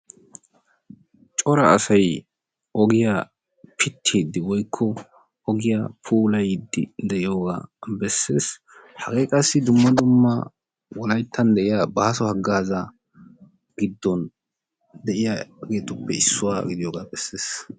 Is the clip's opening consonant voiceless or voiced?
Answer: voiceless